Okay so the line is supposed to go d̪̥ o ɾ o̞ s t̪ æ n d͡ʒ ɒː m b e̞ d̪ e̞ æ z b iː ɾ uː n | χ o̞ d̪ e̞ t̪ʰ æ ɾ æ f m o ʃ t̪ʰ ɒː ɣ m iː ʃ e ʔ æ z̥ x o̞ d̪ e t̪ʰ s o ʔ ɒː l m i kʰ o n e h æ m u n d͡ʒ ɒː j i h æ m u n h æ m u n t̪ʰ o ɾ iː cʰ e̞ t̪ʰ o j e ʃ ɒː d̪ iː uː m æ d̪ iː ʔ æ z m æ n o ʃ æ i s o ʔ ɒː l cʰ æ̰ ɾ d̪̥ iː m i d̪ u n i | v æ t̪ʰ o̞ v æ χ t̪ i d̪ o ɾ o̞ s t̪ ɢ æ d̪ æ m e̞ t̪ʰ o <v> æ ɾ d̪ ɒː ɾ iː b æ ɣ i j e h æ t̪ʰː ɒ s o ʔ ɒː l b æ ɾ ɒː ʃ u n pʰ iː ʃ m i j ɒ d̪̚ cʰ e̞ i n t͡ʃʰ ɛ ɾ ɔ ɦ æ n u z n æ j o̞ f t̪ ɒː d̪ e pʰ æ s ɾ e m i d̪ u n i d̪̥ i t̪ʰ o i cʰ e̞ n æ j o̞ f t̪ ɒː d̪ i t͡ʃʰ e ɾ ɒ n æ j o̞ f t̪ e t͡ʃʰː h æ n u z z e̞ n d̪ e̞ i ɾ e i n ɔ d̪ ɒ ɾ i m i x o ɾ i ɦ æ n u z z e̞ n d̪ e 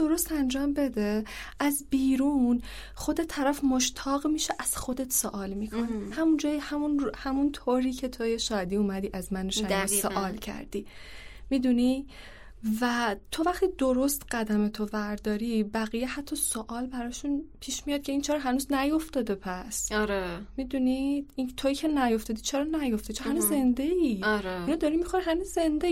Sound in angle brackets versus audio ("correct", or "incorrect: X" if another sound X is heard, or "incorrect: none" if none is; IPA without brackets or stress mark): correct